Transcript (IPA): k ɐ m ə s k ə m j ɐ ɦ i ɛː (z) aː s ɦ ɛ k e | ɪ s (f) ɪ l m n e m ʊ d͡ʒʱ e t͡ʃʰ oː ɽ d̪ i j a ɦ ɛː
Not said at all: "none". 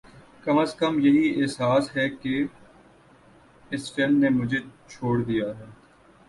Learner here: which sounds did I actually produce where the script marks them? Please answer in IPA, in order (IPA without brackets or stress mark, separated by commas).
s, f